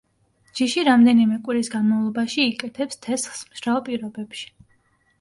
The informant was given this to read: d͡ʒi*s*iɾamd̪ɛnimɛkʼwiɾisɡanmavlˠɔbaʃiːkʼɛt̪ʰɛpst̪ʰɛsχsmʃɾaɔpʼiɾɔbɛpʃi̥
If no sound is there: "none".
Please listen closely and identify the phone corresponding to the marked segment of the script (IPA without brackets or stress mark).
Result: ʃ